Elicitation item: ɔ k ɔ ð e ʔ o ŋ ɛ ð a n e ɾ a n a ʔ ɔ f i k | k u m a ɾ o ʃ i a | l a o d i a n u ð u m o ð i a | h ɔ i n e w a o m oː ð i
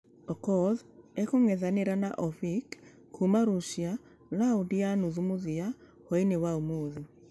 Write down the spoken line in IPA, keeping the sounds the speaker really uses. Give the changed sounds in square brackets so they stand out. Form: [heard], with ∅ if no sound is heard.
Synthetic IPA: ɔ k ɔ ð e [k] o ŋ ɛ ð a n e ɾ a n a ʔ ɔ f i k | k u m a ɾ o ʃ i a | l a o d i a n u ð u m o ð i a | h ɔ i n e w a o m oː ð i